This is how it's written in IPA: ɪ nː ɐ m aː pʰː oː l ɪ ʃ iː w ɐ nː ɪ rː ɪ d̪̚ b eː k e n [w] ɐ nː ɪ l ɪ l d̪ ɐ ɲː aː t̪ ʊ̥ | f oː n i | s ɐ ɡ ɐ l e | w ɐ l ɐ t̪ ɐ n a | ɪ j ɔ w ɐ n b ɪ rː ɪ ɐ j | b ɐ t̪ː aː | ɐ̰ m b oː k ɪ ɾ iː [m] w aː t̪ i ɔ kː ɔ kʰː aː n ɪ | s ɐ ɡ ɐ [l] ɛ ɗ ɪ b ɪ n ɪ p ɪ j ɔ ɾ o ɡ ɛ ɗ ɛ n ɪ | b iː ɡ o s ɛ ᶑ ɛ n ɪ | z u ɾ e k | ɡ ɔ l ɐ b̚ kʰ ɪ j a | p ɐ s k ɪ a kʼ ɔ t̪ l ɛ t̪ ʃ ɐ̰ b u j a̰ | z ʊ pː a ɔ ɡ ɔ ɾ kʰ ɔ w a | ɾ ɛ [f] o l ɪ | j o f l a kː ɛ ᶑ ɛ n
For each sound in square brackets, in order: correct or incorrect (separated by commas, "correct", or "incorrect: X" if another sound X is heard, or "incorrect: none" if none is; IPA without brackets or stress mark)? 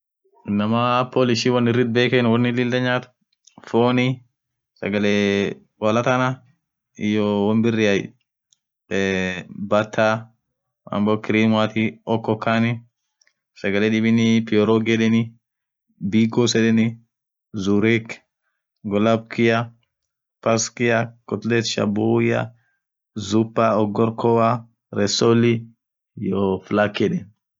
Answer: correct, correct, correct, incorrect: s